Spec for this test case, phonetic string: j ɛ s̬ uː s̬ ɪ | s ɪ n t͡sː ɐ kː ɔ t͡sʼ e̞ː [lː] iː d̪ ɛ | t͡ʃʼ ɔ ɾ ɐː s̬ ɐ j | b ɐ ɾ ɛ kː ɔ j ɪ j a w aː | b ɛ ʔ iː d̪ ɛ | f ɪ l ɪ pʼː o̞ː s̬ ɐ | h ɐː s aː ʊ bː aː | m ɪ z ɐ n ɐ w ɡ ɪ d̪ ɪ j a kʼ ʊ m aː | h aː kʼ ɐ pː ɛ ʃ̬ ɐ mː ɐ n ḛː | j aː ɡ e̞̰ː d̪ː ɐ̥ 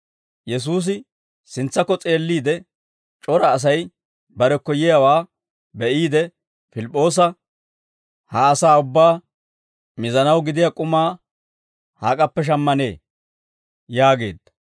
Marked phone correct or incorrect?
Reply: correct